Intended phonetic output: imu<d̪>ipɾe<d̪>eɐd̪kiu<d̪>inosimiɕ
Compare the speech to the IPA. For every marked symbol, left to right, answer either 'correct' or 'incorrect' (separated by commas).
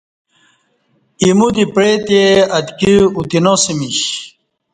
correct, incorrect, incorrect